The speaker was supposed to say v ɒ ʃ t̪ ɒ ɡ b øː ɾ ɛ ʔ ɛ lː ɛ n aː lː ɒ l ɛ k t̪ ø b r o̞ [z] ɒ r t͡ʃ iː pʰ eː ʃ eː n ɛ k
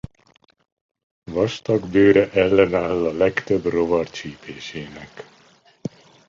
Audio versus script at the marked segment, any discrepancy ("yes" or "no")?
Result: yes